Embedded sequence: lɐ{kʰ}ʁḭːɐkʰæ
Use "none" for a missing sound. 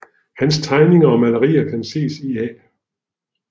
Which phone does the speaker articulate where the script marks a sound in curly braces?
none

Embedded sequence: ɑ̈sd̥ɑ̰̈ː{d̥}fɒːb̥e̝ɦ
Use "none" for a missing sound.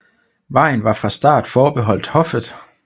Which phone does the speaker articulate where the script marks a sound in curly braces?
d̥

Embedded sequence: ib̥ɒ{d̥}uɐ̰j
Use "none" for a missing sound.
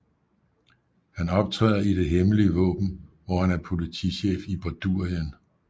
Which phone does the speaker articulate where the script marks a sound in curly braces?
d̥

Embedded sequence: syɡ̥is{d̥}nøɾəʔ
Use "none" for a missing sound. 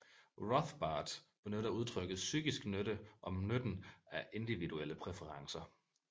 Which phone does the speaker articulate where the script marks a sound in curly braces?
ɡ̥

